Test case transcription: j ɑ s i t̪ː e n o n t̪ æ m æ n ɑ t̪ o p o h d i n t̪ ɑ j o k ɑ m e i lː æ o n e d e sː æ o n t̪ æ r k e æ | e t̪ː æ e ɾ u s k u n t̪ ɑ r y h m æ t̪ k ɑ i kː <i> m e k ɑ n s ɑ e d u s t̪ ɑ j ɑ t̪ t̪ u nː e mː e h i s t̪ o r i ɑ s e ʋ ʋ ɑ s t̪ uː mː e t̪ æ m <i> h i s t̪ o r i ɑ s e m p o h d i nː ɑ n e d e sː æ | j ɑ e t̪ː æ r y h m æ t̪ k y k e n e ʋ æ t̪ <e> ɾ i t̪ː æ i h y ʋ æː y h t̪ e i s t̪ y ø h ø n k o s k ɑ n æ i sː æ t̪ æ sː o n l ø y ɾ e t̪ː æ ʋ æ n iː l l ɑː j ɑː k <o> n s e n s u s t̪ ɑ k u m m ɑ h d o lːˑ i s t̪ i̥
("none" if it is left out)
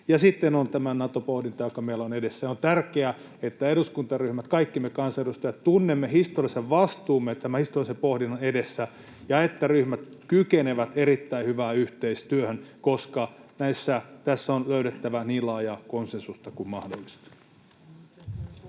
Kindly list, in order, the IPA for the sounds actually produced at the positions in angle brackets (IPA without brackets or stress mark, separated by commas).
i, æ, e, o